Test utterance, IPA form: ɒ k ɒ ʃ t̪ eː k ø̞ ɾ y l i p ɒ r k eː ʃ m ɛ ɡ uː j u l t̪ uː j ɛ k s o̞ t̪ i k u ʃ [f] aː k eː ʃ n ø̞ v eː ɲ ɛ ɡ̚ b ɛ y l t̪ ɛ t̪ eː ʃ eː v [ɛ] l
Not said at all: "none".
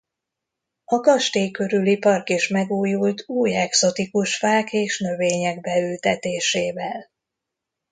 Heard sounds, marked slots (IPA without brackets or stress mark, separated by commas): f, ɛ